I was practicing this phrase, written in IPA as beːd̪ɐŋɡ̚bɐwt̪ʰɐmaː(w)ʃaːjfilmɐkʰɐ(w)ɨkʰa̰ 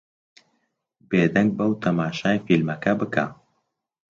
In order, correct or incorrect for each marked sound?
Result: incorrect: none, incorrect: b

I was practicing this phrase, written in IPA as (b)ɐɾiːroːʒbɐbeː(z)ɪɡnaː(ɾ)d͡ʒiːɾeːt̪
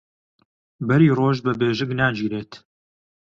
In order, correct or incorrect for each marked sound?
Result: correct, incorrect: ʒ, incorrect: none

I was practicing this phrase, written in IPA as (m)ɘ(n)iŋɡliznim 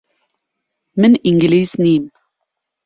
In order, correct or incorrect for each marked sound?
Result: correct, correct

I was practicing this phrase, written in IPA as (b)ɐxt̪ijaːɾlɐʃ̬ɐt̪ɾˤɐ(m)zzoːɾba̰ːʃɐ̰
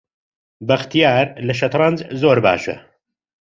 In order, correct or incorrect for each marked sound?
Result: correct, incorrect: n

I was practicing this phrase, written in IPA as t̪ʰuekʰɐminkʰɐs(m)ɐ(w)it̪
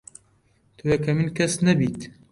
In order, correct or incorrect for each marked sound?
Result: incorrect: n, incorrect: b

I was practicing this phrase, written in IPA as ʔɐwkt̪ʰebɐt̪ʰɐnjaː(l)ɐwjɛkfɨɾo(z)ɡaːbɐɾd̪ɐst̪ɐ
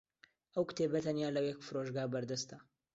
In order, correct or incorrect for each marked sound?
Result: correct, incorrect: ʒ

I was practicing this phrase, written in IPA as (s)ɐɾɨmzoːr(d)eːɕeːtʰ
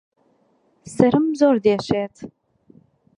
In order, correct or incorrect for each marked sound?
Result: correct, correct

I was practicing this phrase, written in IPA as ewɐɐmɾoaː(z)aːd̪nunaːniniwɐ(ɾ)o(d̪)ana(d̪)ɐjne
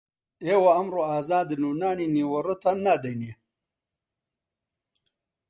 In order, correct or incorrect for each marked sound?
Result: correct, correct, incorrect: t̪, correct

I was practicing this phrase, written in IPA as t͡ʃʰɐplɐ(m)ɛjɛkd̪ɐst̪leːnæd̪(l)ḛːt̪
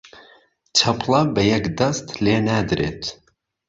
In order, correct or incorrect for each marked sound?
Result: incorrect: b, incorrect: ɾ

